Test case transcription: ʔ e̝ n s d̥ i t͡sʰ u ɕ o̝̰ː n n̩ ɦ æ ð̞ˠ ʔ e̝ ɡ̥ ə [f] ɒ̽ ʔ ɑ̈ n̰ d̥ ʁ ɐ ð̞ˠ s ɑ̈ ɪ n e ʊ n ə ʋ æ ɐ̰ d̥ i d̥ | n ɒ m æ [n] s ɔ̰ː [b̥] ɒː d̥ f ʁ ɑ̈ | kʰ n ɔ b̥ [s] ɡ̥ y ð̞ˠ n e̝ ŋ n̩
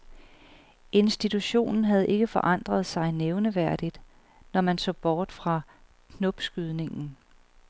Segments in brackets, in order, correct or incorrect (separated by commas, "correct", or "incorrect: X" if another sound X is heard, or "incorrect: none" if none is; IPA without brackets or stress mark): correct, correct, correct, correct